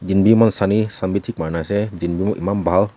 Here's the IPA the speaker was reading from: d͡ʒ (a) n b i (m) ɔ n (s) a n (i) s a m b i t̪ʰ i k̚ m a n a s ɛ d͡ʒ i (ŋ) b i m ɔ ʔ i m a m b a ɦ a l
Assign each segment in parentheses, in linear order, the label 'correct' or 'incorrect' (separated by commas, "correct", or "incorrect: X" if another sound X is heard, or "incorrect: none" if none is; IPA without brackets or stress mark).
incorrect: i, correct, correct, correct, incorrect: n